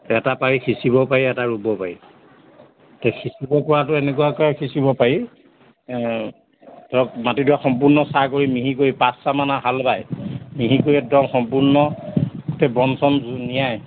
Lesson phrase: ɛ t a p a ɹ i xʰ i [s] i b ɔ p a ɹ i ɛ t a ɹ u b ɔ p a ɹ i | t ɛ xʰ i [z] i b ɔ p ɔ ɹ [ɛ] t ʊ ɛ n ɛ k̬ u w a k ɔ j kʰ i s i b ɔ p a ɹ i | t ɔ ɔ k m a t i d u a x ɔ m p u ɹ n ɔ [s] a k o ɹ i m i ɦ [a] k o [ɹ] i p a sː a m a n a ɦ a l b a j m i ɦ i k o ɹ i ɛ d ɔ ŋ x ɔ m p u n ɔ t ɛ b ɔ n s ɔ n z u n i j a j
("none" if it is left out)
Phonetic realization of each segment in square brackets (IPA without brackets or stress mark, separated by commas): s, s, a, s, i, ɹ